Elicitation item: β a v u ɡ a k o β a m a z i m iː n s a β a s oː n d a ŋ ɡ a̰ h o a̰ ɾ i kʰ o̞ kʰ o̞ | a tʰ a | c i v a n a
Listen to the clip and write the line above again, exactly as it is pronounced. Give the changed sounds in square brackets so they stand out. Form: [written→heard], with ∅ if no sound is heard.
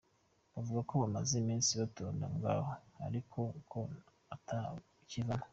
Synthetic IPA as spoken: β a v u ɡ a k o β a m a z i m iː n s [a→i] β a [s→t] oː n d a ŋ ɡ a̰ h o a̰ ɾ i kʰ o̞ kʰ o̞ | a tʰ a | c i v a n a